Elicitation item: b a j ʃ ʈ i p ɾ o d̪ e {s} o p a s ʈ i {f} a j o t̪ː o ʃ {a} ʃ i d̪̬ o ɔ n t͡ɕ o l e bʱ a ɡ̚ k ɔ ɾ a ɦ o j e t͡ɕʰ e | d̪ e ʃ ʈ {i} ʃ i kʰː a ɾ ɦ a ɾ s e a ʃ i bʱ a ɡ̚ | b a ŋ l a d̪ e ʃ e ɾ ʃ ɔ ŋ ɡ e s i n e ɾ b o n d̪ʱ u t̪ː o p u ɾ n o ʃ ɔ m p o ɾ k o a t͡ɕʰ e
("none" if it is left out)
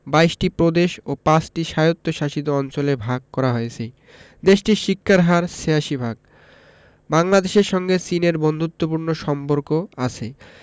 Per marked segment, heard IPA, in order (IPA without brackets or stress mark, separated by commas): ʃ, ʃ, a, i